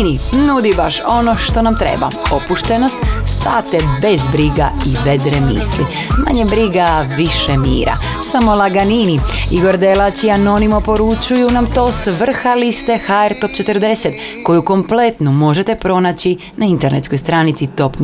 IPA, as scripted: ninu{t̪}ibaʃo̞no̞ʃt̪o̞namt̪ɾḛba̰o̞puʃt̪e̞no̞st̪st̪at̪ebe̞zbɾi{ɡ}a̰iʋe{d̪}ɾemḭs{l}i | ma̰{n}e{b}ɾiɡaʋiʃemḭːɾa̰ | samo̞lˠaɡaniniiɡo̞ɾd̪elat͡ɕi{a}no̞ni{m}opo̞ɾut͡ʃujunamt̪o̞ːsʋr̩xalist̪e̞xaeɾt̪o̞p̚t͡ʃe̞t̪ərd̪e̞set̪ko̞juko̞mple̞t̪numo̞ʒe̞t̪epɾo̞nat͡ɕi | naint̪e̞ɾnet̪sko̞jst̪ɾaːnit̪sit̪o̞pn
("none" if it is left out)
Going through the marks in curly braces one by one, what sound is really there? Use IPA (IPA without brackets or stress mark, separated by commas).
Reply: d̪, ɡ, d̪, l, ɲ, b, a, m